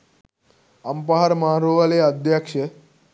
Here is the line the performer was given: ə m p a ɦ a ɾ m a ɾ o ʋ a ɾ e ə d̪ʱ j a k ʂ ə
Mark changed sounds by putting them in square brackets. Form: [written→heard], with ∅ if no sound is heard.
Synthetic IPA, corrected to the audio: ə m p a ɦ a ɾ m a ɾ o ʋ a [ɾ→l] e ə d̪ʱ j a k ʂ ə